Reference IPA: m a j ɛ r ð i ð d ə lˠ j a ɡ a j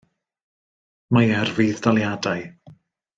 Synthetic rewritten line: m a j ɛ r v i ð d a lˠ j a d a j